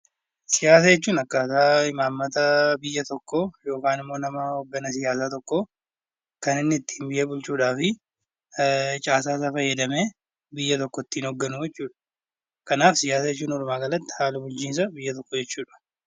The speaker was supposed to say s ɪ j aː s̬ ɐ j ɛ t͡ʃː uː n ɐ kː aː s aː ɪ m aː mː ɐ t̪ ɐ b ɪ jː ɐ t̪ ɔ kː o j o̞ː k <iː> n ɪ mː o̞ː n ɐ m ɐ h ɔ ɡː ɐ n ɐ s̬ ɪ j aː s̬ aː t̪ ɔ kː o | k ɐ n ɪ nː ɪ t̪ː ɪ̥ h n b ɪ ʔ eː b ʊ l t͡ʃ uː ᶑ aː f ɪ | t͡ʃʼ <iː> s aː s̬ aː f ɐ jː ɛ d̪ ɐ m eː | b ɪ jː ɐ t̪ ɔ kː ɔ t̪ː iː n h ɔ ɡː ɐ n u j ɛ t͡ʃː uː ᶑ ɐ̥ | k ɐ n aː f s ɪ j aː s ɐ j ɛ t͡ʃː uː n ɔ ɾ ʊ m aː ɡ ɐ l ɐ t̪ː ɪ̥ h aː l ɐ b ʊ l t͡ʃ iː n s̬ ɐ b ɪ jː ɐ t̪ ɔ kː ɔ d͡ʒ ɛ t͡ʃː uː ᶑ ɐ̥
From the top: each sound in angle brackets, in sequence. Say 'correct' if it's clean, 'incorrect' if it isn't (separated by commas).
incorrect, incorrect